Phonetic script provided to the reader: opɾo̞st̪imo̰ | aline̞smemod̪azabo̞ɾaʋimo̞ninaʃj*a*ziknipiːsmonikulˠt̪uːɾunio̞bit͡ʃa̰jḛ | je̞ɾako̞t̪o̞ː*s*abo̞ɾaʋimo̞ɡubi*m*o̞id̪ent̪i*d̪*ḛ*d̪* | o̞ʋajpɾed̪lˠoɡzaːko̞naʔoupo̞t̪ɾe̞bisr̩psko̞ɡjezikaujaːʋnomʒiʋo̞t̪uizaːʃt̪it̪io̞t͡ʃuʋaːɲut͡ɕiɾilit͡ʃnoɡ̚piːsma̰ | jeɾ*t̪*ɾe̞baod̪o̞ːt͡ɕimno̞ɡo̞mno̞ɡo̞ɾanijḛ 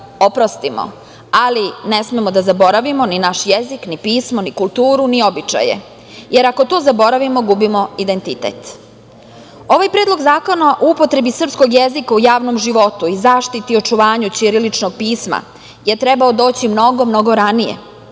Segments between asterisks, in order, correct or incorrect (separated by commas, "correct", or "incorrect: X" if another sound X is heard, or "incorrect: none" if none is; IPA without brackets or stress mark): incorrect: e, incorrect: z, correct, incorrect: t̪, incorrect: t̪, correct